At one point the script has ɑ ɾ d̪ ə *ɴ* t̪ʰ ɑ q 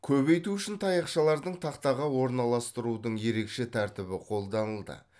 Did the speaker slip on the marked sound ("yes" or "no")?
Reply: no